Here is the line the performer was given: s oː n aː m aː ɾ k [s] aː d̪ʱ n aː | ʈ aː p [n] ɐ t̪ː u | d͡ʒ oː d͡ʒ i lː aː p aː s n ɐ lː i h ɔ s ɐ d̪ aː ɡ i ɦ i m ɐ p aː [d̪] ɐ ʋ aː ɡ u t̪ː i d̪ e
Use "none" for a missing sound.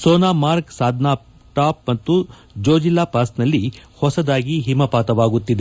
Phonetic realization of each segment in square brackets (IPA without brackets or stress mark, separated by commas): s, m, t̪